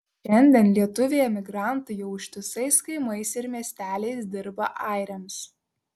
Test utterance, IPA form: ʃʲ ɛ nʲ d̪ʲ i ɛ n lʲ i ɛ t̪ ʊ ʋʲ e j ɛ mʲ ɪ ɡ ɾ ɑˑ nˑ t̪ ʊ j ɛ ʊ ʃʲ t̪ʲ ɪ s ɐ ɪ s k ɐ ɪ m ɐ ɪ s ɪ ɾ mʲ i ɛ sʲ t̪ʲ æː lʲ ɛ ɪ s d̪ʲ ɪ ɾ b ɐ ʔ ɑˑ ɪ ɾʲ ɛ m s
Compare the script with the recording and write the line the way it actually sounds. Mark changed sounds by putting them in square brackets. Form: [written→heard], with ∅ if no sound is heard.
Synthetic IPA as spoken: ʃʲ ɛ nʲ d̪ʲ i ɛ n lʲ i ɛ t̪ ʊ ʋʲ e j ɛ mʲ ɪ ɡ ɾ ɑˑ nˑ t̪ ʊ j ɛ ʊ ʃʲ t̪ʲ ɪ s ɐ ɪ s k ɐ ɪ m ɐ ɪ s ɪ ɾ mʲ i ɛ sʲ t̪ʲ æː lʲ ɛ ɪ s d̪ʲ ɪ ɾ b ɐ ʔ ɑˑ ɪ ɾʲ ɛ m s